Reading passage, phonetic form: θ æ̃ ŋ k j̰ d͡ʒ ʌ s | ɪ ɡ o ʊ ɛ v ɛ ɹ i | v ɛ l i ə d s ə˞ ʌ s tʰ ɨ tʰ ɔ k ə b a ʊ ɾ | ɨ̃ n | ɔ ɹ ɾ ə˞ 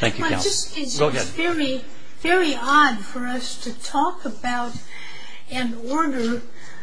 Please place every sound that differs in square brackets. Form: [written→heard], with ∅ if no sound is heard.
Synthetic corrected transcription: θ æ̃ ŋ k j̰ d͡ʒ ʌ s | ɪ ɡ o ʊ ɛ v ɛ ɹ i | v ɛ [l→ɹ] i [ə→ɑ] d [s→f] ə˞ ʌ s tʰ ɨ tʰ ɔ k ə b a ʊ ɾ | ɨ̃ n | ɔ ɹ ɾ ə˞

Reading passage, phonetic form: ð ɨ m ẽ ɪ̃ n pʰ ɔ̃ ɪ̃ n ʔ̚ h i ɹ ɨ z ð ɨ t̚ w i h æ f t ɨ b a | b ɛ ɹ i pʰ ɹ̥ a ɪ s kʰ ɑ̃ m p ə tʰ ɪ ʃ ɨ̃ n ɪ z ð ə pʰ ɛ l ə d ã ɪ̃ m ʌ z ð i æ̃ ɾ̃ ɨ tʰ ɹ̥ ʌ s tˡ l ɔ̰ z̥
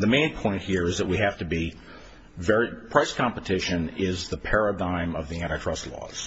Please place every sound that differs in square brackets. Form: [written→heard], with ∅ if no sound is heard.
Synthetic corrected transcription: ð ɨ m ẽ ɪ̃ n pʰ ɔ̃ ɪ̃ n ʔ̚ h i ɹ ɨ z ð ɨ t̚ w i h æ f t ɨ b [a→i] | [b→v] ɛ ɹ i pʰ ɹ̥ a ɪ s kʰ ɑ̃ m p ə tʰ ɪ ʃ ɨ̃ n ɪ z ð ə pʰ ɛ [l→ɹ] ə d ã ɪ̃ m ʌ [z→v] ð i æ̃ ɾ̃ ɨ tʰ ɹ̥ ʌ s tˡ l ɔ̰ z̥

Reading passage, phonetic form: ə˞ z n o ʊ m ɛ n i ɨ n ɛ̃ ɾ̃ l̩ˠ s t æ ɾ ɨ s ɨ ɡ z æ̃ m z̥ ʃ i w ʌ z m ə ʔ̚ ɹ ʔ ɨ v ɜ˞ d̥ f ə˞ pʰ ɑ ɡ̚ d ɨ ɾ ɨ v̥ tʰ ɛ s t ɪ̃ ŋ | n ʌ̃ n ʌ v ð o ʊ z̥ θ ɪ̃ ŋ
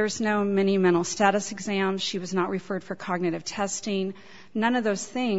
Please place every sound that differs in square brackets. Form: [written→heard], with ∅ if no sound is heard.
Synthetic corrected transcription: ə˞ z n o ʊ m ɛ n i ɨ [n→m] ɛ̃ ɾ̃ l̩ˠ s t æ ɾ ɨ s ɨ ɡ z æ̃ m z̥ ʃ i w ʌ z [m→n] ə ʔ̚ ɹ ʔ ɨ [v→f] ɜ˞ d̥ f ə˞ [pʰ→kʰ] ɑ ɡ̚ [d→n] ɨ ɾ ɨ v̥ tʰ ɛ s t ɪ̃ ŋ | n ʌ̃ n ʌ v ð o ʊ z̥ θ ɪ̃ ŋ

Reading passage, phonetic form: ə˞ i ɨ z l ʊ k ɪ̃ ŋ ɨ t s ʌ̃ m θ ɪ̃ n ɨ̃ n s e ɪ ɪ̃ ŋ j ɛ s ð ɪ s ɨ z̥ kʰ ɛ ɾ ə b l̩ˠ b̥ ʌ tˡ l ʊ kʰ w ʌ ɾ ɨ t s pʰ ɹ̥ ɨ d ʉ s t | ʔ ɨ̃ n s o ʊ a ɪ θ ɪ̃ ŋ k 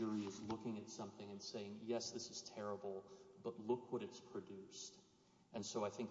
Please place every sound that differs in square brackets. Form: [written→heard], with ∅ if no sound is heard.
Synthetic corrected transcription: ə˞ i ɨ z l ʊ k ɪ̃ ŋ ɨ t s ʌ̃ m θ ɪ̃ [n→ŋ] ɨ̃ n s e ɪ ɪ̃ ŋ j ɛ s ð ɪ s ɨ z̥ [kʰ→tʰ] ɛ [ɾ→ɹ] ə b l̩ˠ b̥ ʌ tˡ l ʊ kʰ w ʌ ɾ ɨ t s pʰ ɹ̥ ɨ d ʉ s t | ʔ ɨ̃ n s o ʊ a ɪ θ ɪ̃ ŋ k

